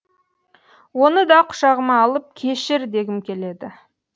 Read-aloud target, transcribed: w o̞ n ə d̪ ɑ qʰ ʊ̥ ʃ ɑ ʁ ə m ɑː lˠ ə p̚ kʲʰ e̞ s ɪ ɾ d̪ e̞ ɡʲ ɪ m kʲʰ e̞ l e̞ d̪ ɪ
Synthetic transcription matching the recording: w o̞ n ə d̪ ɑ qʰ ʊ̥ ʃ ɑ ʁ ə m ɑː lˠ ə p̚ kʲʰ e̞ ʃ ɪ ɾ d̪ e̞ ɡʲ ɪ m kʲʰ e̞ l e̞ d̪ ɪ